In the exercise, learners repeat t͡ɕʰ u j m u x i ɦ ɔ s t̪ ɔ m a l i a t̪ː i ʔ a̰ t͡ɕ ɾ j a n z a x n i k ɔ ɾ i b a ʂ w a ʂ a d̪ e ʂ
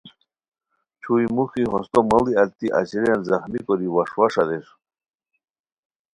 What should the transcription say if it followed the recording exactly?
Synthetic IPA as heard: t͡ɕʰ u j m u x i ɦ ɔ s t̪ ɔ m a l i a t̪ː i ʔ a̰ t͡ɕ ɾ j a n z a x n i k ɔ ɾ i w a ʂ w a ʂ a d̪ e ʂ